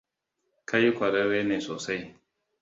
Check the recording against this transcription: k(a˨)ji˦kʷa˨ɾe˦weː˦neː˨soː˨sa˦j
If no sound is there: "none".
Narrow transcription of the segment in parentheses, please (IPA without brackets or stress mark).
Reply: a˦